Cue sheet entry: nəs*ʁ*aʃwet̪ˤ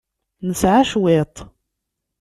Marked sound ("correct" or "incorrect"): incorrect